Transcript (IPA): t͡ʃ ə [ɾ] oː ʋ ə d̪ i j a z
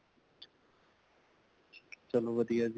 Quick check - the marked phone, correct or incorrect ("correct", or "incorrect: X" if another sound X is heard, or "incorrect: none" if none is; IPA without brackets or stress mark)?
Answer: incorrect: l